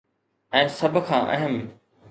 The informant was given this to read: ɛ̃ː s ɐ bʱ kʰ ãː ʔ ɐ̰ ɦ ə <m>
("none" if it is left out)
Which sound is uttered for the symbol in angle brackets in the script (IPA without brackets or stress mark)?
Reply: m